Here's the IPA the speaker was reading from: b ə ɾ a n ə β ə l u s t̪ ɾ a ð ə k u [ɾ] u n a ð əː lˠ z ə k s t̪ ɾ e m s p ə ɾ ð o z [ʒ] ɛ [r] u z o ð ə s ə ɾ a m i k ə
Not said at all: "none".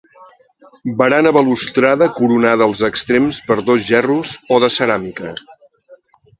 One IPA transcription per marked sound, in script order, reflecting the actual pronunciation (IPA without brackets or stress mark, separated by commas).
ɾ, ʒ, r